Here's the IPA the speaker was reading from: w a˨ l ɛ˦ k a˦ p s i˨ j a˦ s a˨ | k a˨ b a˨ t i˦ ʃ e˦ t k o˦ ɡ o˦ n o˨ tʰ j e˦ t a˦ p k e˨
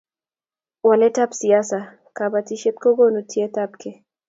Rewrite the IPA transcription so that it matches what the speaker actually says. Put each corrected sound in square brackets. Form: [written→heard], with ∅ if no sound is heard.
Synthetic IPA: w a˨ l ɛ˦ [k→t] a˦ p s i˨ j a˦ s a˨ | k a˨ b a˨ t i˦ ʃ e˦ t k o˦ ɡ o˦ n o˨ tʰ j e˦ t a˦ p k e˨